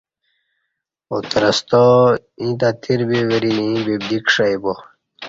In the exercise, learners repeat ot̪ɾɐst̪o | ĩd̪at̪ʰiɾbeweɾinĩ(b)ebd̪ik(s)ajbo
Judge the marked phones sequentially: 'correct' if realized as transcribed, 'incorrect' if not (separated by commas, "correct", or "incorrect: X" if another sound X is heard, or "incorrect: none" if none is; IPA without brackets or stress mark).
correct, incorrect: ʂ